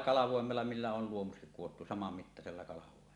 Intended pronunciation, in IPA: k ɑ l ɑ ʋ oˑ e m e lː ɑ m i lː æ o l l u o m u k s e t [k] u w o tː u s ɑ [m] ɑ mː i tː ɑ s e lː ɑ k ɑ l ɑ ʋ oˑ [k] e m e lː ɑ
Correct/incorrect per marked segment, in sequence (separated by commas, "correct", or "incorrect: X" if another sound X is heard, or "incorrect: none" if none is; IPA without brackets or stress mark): correct, correct, incorrect: none